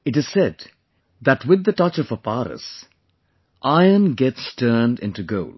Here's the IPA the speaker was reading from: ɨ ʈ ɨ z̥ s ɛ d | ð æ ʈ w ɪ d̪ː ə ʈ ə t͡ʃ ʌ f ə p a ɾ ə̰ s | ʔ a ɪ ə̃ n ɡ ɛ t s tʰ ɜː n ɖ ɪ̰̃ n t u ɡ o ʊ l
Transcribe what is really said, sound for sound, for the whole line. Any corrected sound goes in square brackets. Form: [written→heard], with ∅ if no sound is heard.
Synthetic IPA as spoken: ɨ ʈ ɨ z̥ s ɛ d | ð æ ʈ w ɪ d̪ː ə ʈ [ə→ʌ] t͡ʃ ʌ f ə p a ɾ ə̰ s | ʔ a ɪ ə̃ n ɡ ɛ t s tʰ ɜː n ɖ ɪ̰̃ n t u ɡ o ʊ l